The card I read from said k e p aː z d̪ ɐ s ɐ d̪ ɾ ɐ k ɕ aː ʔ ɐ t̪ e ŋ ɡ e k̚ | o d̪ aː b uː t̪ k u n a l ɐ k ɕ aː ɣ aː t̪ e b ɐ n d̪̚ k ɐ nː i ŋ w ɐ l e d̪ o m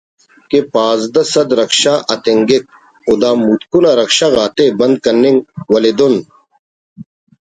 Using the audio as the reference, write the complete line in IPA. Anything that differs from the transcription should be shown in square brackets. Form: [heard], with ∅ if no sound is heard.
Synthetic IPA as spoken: k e p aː z d̪ ɐ s ɐ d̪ ɾ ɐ k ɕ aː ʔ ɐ t̪ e ŋ ɡ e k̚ | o d̪ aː [m] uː t̪ k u n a [ɾ] ɐ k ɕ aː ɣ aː t̪ e b ɐ n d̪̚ k ɐ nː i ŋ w ɐ l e d̪ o [n]